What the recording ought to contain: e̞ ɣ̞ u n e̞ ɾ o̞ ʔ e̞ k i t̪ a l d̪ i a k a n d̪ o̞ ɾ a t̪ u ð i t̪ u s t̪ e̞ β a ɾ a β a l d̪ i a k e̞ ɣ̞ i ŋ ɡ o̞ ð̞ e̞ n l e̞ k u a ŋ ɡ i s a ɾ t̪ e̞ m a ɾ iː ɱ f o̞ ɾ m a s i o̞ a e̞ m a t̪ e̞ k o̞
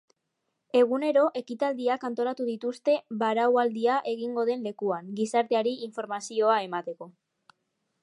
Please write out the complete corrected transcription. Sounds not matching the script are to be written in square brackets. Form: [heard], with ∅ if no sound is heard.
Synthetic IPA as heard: e̞ ɣ̞ u n e̞ ɾ o̞ ʔ e̞ k i t̪ a l d̪ i a k a n [t̪] o̞ ɾ a t̪ u ð i t̪ u s t̪ e̞ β a ɾ a [w] a l d̪ i a [ʔ] e̞ ɣ̞ i ŋ ɡ o̞ ð̞ e̞ n l e̞ k u a ŋ ɡ i s a ɾ t̪ e̞ [∅] a ɾ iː ɱ f o̞ ɾ m a s i o̞ a e̞ m a t̪ e̞ k o̞

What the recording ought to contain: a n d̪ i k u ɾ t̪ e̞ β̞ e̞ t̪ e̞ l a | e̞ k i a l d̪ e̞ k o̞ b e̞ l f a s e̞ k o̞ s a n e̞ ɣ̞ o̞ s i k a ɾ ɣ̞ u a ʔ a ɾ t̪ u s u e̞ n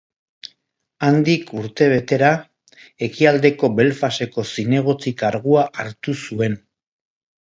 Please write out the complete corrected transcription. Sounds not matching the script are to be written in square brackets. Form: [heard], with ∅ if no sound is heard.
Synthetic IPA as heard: a n d̪ i k u ɾ t̪ e̞ β̞ e̞ t̪ e̞ [ɾ] a | e̞ k i a l d̪ e̞ k o̞ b e̞ l f a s e̞ k o̞ s [i] n e̞ ɣ̞ o̞ [t͡s] i k a ɾ ɣ̞ u a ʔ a ɾ t̪ u s u e̞ n

